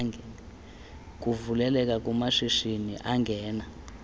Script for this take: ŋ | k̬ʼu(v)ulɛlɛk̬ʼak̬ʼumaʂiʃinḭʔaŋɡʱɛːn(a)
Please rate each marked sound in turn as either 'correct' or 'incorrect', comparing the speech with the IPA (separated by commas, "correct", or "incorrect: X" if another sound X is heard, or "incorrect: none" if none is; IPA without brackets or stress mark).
correct, correct